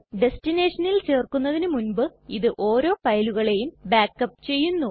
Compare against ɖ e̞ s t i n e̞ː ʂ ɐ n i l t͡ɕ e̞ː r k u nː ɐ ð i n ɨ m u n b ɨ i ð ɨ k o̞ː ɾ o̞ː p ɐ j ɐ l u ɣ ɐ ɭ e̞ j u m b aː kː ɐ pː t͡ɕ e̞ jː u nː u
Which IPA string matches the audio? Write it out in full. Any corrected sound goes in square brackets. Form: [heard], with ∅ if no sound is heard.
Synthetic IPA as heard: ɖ e̞ s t i n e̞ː ʂ ɐ n i l t͡ɕ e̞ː r k u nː ɐ ð i n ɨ m u n b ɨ i ð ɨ [ʔ] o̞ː ɾ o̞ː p ɐ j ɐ l u ɣ ɐ ɭ e̞ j u m b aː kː ɐ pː t͡ɕ e̞ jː u nː u